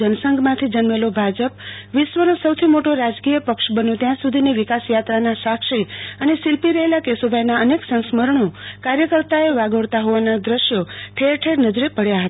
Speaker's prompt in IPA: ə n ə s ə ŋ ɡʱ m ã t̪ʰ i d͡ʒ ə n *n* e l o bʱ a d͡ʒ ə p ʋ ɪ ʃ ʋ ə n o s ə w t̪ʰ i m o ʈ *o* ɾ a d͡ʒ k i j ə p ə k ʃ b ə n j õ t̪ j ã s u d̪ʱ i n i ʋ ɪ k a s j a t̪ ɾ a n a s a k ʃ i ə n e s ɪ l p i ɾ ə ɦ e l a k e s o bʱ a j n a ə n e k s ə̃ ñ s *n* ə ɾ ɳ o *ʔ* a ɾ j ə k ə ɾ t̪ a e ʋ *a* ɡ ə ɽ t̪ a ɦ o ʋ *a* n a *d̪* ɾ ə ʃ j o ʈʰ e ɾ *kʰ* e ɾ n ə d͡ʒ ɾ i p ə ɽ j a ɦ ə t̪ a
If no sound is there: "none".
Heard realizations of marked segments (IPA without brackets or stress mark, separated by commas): m, o, m, k, a, a, d̪, ʈʰ